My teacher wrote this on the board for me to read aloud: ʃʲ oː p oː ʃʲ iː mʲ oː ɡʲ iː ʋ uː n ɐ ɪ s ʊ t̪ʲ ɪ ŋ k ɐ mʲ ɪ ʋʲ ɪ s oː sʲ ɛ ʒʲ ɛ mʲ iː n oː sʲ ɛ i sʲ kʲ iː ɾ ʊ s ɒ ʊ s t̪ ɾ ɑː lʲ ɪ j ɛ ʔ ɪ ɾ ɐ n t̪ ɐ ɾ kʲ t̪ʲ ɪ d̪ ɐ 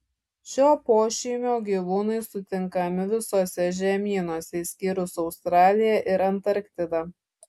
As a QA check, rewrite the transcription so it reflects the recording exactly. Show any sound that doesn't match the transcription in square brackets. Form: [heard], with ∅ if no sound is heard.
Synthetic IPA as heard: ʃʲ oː p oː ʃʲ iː mʲ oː ɡʲ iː ʋ uː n ɐ ɪ s ʊ t̪ʲ ɪ ŋ k ɐ mʲ ɪ ʋʲ ɪ s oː sʲ ɛ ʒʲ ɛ mʲ iː n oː sʲ ɛ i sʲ kʲ iː ɾ ʊ s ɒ ʊ s t̪ ɾ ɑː lʲ ɪ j ɛ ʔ ɪ ɾ ɐ n t̪ ɐ ɾ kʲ t̪ʲ ɪ d̪ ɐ